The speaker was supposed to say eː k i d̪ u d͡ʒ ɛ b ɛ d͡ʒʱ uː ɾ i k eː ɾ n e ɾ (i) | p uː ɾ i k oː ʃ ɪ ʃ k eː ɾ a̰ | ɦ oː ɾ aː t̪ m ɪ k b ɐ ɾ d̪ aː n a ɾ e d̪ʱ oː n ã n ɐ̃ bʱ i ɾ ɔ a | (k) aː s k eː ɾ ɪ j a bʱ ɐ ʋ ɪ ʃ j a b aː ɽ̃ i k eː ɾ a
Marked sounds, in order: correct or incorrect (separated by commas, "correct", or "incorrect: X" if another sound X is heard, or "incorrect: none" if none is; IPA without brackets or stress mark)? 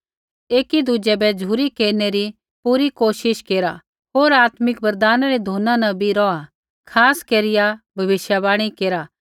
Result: correct, incorrect: kʰ